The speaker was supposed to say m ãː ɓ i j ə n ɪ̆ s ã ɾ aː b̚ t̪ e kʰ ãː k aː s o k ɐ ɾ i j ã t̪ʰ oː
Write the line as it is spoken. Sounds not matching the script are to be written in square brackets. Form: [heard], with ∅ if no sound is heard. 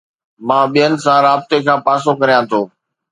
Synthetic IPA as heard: m ãː ɓ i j ə n ɪ̆ s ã ɾ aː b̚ t̪ e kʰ ãː [p] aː s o k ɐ ɾ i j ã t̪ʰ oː